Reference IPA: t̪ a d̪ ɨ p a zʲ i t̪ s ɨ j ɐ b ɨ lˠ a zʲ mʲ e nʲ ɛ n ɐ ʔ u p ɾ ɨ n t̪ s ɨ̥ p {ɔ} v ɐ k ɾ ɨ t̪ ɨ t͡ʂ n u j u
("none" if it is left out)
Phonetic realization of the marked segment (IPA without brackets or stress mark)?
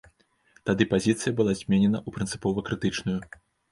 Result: ɔ